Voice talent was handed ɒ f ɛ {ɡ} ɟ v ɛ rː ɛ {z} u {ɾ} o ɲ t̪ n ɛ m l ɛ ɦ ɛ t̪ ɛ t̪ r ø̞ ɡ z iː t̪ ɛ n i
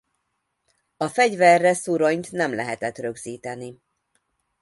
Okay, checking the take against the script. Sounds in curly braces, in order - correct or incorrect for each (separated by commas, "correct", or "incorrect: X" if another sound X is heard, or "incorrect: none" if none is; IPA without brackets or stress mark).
incorrect: none, incorrect: s, correct